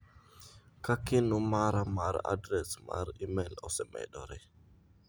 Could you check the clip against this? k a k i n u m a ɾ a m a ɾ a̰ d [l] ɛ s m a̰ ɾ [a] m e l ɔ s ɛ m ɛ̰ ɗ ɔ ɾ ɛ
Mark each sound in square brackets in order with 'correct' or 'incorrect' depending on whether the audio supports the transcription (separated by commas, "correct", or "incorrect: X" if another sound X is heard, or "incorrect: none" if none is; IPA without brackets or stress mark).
incorrect: ɾ, incorrect: i